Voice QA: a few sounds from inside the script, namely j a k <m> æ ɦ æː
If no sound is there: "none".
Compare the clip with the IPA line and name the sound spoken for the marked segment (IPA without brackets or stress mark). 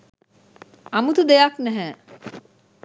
n